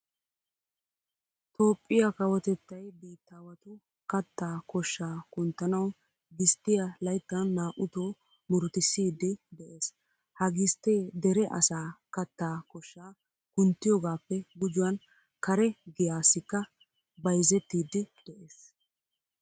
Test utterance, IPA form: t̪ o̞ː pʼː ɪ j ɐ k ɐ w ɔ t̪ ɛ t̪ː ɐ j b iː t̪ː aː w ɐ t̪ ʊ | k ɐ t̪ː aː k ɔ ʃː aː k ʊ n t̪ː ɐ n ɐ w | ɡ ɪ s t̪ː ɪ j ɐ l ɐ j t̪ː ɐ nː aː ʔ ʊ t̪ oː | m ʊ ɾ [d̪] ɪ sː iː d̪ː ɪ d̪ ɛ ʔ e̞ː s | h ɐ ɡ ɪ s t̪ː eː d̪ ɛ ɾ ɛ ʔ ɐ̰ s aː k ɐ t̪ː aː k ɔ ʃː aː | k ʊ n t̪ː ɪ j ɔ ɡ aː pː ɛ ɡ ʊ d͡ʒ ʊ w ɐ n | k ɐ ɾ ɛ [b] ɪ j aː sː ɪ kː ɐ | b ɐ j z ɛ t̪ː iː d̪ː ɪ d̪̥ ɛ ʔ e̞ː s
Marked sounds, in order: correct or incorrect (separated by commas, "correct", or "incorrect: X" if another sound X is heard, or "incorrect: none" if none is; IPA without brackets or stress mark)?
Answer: incorrect: t̪, incorrect: ɡ